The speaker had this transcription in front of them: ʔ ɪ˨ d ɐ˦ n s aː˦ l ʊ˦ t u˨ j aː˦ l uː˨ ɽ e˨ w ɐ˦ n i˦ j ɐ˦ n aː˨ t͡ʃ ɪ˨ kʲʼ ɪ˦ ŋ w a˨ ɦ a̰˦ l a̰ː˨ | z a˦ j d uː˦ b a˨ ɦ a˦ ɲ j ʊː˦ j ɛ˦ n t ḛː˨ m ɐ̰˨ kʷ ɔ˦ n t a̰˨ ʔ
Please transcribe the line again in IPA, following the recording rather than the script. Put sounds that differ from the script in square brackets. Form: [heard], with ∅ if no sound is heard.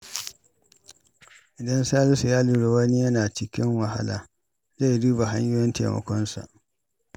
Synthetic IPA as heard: ʔ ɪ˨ d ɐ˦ n s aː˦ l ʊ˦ [s] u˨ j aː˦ l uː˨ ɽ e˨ w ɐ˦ n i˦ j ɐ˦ n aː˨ t͡ʃ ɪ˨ [kʲ] ɪ˦ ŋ w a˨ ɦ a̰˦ l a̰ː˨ | z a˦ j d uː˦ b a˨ ɦ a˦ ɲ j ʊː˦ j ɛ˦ n t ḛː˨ m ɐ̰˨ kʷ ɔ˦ n [s] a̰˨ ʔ

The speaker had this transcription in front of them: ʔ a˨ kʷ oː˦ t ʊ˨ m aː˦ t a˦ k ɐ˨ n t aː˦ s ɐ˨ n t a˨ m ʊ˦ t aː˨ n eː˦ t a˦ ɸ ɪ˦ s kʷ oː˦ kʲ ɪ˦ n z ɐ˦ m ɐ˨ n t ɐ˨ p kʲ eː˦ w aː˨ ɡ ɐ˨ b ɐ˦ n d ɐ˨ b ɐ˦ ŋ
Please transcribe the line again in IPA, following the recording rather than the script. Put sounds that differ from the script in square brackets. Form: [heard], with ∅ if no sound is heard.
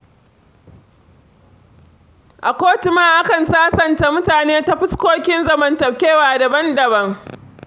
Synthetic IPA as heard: ʔ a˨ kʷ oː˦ t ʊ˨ m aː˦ [ʔ] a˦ k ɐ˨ n [s] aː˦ s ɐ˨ n t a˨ m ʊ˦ t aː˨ n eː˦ t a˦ ɸ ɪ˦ s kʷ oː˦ kʲ ɪ˦ n z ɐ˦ m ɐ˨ n t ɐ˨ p kʲ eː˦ w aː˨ [d] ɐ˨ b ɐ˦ n d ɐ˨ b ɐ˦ ŋ

